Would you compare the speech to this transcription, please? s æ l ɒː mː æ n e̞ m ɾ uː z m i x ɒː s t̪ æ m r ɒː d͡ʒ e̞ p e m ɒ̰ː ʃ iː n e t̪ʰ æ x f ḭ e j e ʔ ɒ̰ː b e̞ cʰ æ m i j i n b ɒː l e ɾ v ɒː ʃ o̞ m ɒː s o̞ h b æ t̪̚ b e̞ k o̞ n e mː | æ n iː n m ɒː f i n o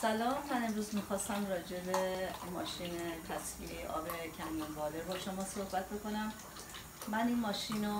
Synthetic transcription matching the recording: s æ l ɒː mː æ n e̞ m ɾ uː z m i x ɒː s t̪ æ m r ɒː d͡ʒ e̞ b e m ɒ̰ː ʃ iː n e t̪ʰ æ s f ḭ e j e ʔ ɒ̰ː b e̞ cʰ æ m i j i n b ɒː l e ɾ b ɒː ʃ o̞ m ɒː s o̞ h b æ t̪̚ b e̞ k o̞ n æ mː | æ n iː n m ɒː ʃ i n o